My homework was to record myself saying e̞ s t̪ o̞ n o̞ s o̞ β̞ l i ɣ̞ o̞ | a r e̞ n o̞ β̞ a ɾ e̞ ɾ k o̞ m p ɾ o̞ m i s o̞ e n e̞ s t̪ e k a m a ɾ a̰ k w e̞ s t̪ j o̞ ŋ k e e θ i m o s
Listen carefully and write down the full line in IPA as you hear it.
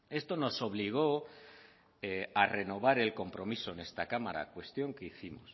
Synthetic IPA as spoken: e̞ s t̪ o̞ n o̞ s o̞ β̞ l i ɣ̞ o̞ | a r e̞ n o̞ β̞ a ɾ e̞ l k o̞ m p ɾ o̞ m i s o̞ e n e̞ s t̪ a k a m a ɾ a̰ k w e̞ s t̪ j o̞ ŋ k e i θ i m o s